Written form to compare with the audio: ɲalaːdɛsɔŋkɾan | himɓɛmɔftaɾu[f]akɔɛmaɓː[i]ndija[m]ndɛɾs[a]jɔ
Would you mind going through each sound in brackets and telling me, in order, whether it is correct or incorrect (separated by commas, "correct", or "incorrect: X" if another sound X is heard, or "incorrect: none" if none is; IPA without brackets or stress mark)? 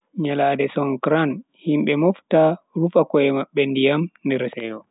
correct, incorrect: ɛ, correct, incorrect: ɛ